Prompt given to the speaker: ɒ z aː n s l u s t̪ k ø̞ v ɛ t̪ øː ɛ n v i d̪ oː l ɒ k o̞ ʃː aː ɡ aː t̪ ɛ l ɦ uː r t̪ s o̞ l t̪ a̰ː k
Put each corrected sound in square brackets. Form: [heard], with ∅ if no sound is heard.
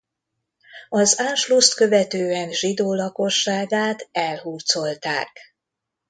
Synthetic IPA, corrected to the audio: ɒ z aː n [ʃ] l u s t̪ k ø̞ v ɛ t̪ øː ɛ n [ʒ] i d̪ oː l ɒ k o̞ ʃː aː ɡ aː t̪ ɛ l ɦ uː r t̪ s o̞ l t̪ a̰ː k